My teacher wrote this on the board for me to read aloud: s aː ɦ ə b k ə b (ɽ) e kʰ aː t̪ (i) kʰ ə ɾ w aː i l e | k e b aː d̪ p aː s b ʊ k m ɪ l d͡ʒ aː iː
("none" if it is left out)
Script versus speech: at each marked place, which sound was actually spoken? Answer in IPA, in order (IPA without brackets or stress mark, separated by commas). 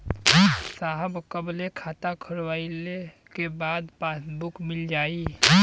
l, a